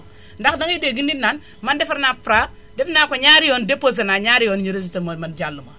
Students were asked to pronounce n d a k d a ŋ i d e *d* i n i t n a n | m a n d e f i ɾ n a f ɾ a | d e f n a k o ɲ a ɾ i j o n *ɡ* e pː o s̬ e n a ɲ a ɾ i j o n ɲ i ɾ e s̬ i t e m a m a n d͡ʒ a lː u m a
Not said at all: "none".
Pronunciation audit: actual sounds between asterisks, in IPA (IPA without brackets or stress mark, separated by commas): ɡ, d